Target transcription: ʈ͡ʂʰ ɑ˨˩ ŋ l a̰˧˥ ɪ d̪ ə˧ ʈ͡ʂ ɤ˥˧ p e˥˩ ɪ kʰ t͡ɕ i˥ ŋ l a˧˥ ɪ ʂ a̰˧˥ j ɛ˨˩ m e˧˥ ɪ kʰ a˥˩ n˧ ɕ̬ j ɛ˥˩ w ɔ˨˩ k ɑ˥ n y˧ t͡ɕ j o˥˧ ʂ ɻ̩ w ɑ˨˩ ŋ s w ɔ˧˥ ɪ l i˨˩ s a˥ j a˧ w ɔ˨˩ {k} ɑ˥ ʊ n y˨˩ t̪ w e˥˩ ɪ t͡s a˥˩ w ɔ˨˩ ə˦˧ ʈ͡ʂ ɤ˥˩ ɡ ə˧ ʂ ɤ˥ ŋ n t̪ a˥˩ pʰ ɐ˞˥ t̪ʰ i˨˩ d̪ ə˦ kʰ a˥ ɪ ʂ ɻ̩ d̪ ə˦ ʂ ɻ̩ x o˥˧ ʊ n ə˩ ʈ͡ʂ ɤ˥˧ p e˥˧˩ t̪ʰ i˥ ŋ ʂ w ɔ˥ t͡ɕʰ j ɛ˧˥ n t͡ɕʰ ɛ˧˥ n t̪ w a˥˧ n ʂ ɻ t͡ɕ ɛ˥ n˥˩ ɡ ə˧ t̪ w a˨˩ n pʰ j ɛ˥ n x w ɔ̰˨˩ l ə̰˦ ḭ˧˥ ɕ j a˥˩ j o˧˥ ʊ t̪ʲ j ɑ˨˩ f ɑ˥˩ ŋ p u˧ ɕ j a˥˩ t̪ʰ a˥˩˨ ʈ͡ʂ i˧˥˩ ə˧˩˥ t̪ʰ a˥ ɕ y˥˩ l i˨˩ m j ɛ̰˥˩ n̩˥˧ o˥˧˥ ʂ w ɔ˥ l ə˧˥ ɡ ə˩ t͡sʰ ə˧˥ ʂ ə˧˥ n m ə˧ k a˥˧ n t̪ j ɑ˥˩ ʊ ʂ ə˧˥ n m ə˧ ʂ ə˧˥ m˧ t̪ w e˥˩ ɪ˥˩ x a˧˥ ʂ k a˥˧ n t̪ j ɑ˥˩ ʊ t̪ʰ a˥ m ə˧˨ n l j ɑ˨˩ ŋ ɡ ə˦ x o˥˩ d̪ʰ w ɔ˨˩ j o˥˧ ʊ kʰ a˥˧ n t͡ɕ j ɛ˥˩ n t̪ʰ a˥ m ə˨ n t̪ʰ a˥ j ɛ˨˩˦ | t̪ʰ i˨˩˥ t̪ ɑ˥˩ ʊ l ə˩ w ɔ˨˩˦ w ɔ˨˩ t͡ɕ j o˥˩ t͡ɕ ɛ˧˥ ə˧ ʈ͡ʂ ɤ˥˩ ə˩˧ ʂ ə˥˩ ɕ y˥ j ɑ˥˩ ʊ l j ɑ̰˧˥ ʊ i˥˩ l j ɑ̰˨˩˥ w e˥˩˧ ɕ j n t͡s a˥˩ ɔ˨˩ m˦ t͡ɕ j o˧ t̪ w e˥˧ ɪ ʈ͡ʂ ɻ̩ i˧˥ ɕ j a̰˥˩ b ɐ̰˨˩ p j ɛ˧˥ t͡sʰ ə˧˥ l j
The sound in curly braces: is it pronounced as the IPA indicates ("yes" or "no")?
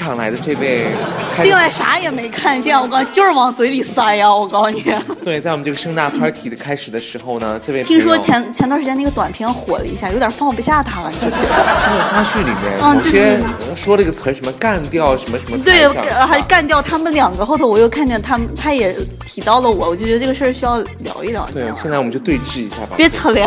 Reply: yes